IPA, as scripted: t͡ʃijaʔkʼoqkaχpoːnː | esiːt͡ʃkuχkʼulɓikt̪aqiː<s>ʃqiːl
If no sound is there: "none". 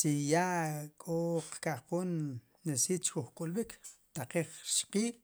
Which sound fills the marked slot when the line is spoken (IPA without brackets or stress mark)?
χ